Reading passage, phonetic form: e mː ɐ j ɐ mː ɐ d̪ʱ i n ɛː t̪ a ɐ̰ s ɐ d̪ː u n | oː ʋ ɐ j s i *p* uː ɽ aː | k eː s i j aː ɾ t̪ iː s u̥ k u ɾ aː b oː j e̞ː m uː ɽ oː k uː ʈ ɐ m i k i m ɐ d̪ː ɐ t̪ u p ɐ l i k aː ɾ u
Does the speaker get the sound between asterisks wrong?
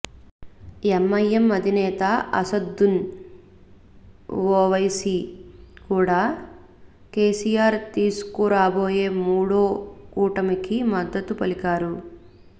yes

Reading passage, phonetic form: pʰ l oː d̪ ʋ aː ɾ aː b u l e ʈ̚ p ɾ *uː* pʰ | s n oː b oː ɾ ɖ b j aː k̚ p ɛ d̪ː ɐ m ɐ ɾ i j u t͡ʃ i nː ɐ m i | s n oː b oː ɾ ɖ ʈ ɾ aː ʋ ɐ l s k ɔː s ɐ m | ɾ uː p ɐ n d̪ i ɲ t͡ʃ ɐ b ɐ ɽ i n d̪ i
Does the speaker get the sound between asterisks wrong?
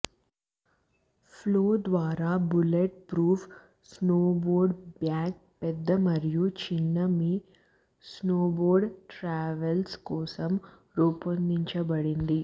no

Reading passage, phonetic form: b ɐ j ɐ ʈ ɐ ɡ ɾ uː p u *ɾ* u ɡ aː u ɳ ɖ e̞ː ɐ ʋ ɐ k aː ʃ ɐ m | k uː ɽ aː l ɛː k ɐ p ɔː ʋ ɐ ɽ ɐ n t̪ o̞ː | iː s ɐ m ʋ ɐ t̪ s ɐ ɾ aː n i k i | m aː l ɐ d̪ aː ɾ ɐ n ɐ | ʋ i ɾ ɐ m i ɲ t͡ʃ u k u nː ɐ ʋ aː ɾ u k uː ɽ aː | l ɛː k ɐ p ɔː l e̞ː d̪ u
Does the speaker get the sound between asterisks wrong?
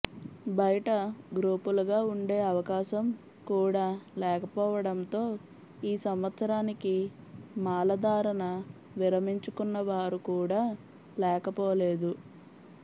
yes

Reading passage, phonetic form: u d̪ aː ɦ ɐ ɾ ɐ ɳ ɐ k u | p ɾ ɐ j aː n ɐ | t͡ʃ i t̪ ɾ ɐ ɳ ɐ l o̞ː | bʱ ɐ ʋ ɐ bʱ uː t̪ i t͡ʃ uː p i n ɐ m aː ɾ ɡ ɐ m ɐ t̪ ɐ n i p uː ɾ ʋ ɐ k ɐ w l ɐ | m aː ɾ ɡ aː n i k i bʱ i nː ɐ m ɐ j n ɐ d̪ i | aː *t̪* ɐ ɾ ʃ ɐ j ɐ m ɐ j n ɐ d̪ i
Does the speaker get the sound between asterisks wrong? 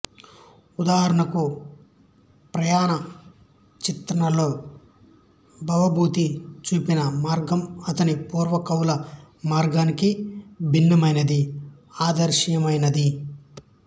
yes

